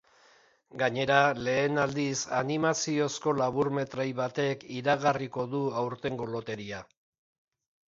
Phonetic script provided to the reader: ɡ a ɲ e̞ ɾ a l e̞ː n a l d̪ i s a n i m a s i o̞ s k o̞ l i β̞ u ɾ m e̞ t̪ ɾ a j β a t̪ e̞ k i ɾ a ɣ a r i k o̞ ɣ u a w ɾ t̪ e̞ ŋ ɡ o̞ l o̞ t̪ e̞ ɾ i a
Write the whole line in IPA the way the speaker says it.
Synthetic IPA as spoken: ɡ a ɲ e̞ ɾ a l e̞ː n a l d̪ i s a n i m a s i o̞ s k o̞ l a β̞ u ɾ m e̞ t̪ ɾ a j β a t̪ e̞ k i ɾ a ɣ a r i k o̞ ð u a w ɾ t̪ e̞ ŋ ɡ o̞ l o̞ t̪ e̞ ɾ i a